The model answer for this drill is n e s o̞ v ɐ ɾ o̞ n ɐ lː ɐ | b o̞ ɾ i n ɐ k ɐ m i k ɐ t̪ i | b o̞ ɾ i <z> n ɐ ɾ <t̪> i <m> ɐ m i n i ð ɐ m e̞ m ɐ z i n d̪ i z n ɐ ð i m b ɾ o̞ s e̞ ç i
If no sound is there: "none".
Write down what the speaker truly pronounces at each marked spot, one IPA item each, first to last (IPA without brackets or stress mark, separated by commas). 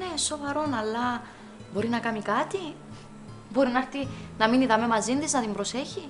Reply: none, t̪, n